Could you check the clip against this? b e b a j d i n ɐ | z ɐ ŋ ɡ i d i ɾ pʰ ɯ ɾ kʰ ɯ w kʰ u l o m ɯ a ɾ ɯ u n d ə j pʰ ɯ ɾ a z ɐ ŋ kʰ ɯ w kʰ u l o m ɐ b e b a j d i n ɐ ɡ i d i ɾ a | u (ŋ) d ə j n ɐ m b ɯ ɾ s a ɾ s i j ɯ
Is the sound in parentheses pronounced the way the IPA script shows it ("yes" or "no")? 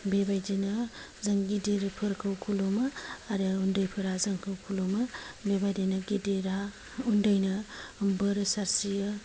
no